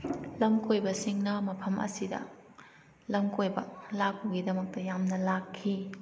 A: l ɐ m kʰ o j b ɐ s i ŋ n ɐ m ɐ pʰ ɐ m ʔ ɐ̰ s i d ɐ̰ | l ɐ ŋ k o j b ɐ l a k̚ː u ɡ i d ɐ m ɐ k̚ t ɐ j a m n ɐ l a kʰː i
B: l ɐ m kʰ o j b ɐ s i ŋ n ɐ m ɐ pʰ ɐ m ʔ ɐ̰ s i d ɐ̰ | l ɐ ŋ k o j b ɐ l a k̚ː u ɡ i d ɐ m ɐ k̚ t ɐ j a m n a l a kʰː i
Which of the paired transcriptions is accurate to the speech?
A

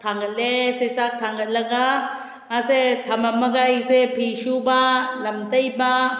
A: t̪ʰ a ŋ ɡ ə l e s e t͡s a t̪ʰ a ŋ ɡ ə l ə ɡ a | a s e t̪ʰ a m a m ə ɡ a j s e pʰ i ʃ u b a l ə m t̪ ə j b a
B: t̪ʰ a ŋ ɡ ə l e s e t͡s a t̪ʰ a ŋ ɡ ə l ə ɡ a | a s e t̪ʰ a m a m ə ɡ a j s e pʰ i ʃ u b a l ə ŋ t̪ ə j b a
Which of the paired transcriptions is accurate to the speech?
A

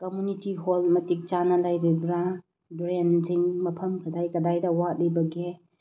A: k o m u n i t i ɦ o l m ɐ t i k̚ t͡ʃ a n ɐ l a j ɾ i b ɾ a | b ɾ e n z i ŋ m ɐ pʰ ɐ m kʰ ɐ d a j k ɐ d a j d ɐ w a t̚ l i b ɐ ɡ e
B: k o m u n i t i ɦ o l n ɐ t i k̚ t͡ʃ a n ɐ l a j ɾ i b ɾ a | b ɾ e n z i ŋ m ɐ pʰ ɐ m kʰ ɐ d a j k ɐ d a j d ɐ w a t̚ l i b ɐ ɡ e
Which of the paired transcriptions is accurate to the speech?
A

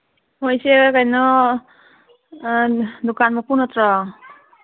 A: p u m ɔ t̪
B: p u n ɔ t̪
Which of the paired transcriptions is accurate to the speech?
B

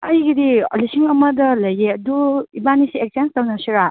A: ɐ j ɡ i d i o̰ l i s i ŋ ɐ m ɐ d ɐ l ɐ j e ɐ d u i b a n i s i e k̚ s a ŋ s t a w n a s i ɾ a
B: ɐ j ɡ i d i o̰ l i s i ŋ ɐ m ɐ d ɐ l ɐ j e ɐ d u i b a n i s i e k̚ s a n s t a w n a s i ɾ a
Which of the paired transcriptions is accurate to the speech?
B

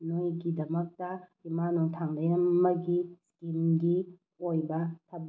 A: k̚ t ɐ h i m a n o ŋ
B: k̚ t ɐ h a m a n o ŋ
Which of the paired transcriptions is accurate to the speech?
A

